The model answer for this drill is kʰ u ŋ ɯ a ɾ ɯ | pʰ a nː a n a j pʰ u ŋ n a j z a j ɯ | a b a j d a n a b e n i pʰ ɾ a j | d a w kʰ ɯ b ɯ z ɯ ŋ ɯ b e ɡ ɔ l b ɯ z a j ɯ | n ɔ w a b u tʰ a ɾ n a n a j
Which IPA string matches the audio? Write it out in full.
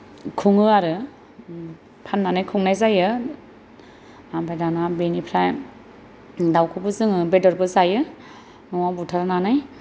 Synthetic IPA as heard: kʰ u ŋ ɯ a ɾ ɯ | pʰ a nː a n a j kʰ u ŋ n a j z a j ɯ | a b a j d a n a b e n i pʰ ɾ a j | d a w kʰ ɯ b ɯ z ɯ ŋ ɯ b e d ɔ ɾ b ɯ z a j ɯ | n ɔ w a b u tʰ a ɾ n a n a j